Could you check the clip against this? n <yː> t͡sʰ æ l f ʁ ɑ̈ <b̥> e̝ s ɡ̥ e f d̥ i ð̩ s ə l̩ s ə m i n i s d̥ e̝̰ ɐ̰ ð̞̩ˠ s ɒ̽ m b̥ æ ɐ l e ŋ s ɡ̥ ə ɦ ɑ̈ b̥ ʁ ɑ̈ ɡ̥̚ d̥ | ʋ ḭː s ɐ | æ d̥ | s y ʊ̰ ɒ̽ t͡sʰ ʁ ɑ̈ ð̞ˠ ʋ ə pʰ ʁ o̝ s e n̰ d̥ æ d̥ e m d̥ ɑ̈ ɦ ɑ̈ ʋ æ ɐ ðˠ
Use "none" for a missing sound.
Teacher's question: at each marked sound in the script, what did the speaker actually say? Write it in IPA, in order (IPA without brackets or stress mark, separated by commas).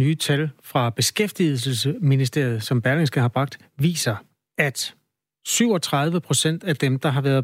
yː, b̥